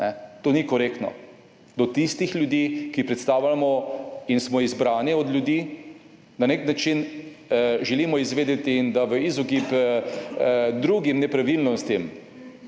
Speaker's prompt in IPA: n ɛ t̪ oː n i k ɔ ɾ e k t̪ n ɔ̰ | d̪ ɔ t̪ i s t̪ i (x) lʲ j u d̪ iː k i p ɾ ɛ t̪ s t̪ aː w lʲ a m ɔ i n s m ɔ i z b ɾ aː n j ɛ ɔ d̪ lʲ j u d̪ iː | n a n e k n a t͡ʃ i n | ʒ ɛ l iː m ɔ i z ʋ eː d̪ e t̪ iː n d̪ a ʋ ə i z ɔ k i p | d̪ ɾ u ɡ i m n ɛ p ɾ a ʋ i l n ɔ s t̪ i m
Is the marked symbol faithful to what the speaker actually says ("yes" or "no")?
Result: yes